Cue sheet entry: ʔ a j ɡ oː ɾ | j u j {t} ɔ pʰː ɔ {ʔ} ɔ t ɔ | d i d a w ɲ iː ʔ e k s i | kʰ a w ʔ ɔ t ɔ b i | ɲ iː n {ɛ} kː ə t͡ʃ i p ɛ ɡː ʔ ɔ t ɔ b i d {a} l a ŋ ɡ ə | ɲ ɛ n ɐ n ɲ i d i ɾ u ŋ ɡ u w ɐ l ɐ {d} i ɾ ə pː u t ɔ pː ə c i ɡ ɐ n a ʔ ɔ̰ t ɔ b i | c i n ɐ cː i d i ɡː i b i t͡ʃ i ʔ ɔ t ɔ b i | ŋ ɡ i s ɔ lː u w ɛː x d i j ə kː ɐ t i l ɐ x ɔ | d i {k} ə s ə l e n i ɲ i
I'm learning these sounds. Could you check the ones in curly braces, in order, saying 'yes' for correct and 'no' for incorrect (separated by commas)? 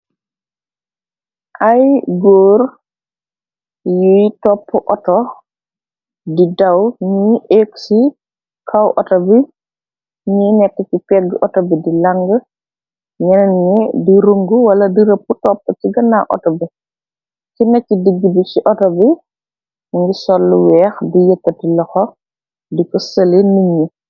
yes, yes, yes, no, yes, yes